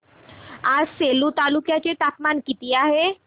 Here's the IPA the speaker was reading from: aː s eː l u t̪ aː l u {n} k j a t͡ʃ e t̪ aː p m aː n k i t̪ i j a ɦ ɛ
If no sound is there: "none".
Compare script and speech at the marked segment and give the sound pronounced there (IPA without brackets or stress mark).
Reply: none